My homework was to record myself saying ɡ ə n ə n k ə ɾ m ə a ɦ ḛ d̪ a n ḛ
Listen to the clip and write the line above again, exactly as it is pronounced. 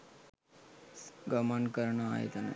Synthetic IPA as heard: ɡ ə m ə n k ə ɾ ɳ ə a ɦ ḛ t̪ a n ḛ